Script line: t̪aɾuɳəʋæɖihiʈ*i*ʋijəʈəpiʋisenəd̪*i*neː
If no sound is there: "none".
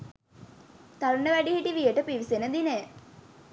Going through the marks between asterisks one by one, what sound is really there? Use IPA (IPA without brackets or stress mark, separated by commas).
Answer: i, i